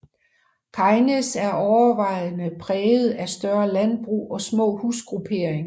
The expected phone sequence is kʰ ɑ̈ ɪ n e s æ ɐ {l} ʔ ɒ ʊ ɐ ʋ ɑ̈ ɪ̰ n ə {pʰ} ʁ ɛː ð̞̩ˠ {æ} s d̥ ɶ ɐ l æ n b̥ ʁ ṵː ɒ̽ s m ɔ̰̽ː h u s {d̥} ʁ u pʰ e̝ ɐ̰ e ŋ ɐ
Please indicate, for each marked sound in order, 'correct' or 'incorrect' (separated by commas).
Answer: incorrect, correct, correct, incorrect